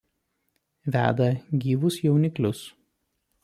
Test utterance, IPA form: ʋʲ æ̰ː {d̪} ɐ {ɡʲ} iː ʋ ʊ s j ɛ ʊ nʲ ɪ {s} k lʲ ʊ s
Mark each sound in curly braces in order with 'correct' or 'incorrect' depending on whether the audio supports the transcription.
correct, correct, incorrect: none

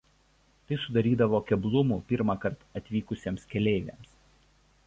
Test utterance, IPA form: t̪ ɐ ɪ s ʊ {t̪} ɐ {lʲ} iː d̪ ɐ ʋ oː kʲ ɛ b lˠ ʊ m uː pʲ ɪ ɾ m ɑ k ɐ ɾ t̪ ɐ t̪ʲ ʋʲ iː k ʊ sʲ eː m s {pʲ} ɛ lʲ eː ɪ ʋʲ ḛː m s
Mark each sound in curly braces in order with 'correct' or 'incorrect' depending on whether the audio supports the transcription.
incorrect: d̪, incorrect: ɾʲ, incorrect: kʲ

